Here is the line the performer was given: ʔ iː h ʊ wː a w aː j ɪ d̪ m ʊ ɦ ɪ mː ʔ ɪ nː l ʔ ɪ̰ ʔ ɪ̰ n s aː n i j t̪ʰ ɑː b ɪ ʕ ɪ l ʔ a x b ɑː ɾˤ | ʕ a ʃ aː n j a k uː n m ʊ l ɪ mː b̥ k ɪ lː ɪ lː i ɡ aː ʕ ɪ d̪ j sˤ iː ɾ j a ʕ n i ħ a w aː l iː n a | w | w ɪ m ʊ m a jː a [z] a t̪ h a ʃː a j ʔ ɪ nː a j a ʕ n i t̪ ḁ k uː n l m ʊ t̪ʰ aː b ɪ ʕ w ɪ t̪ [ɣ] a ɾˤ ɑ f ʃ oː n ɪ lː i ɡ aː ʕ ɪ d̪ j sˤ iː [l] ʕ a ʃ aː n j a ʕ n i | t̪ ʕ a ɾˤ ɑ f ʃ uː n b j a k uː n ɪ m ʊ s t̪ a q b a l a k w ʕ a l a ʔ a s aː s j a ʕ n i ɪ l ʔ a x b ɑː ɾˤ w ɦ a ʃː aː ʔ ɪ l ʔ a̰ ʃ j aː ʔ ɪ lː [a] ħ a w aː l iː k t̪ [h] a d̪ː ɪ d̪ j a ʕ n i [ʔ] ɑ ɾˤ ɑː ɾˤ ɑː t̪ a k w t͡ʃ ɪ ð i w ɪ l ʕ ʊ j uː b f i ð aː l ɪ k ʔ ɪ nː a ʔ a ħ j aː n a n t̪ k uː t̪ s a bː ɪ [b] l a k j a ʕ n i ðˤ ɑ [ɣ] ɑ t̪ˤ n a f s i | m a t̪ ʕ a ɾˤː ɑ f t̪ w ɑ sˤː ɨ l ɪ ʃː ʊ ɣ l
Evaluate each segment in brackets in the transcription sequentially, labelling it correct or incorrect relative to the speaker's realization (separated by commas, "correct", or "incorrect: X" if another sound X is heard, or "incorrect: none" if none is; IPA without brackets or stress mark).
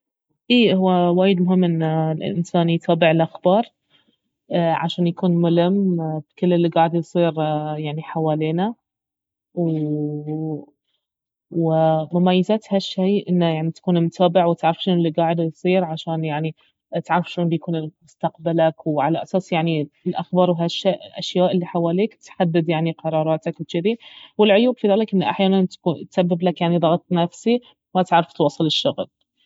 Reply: correct, incorrect: ʕ, incorrect: ɾ, incorrect: i, incorrect: ħ, incorrect: q, correct, correct